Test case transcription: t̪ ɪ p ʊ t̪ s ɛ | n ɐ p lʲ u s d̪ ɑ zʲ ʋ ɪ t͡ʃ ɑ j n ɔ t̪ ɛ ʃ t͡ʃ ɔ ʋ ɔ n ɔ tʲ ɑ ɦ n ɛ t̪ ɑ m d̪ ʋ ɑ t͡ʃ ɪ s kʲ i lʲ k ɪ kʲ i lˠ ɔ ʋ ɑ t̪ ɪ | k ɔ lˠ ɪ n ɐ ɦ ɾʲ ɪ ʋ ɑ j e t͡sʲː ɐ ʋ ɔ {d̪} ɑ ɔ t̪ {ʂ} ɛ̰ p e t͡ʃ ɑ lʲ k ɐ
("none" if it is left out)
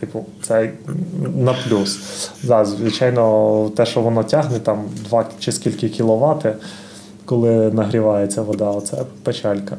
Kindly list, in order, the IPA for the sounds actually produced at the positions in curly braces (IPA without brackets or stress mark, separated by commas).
d̪, s